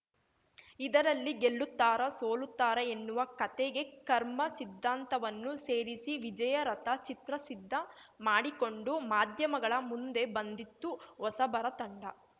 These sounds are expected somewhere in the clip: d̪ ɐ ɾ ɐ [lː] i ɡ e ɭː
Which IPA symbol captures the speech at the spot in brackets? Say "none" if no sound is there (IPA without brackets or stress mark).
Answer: lː